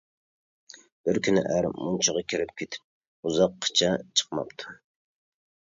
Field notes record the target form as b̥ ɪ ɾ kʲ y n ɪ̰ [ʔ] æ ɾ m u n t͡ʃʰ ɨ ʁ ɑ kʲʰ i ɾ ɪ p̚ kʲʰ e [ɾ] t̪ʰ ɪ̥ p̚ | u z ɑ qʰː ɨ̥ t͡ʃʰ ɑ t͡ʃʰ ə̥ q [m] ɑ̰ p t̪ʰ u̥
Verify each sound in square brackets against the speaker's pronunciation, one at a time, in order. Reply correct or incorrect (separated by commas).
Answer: correct, incorrect, correct